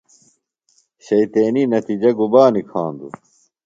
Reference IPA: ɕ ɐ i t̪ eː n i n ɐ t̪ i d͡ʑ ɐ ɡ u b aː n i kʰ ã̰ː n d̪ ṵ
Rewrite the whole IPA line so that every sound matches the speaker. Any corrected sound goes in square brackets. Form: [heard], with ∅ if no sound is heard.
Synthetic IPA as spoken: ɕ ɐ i t̪ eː n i n ɐ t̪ i d͡ʑ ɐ ɡ u b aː n i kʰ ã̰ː n d̪ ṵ